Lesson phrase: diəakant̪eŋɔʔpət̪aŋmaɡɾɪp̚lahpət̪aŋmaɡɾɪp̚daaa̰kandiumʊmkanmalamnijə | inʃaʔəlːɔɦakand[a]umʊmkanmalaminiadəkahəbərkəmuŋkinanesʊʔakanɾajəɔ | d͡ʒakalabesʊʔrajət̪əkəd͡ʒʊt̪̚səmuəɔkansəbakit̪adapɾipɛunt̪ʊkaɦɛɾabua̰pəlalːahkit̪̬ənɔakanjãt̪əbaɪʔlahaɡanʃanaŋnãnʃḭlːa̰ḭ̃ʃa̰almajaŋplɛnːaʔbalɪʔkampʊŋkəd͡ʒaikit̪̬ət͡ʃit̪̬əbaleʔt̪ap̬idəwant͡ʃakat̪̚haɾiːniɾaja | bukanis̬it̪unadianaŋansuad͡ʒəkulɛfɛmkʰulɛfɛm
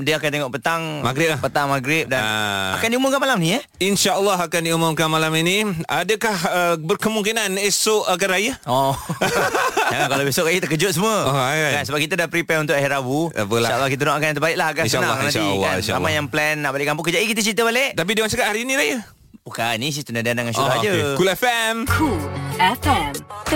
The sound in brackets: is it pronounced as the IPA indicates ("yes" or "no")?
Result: no